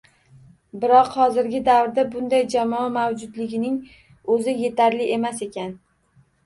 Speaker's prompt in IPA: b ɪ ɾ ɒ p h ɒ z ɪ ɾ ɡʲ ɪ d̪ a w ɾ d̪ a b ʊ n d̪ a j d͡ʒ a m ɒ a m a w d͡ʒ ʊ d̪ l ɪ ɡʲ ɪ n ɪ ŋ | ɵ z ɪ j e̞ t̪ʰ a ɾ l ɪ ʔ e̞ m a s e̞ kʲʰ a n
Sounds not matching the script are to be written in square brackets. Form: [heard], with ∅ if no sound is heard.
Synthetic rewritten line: b ɪ ɾ ɒ [q] h ɒ z ɪ ɾ ɡʲ ɪ d̪ a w ɾ d̪ a b ʊ n d̪ a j d͡ʒ a m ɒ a m a w d͡ʒ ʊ d̪ l ɪ ɡʲ ɪ n ɪ ŋ | ɵ z ɪ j e̞ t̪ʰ a ɾ l ɪ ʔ e̞ m a s e̞ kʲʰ a n